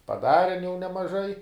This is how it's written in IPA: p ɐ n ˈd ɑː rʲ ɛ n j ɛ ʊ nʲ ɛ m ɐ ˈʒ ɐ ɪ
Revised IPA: p ɐ ˈd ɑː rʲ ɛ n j ɛ ʊ nʲ ɛ m ɐ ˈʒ ɐ ɪ